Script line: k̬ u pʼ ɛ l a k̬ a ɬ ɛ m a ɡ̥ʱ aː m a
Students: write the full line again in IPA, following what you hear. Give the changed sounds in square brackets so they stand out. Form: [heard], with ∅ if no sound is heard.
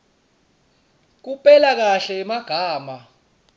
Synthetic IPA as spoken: k̬ u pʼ ɛ l a k̬ a ɬ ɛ m a ɡ̥ʱ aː m a